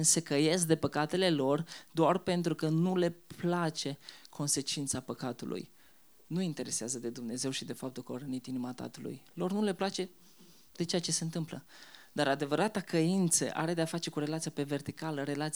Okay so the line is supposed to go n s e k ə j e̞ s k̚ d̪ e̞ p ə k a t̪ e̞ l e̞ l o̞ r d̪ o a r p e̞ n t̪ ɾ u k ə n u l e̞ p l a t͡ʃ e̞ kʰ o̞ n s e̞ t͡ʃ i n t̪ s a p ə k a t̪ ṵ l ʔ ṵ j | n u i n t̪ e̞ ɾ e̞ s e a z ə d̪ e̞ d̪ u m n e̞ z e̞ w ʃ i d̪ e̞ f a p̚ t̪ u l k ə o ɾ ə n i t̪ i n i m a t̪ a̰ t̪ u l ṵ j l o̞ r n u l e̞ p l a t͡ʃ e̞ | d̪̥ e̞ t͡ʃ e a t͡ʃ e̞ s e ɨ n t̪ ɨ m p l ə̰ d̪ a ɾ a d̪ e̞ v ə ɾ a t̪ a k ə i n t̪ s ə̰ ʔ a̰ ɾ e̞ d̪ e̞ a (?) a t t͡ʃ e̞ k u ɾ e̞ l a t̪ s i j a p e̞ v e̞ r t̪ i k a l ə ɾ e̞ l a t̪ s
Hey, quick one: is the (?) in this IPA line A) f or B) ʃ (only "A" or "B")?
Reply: A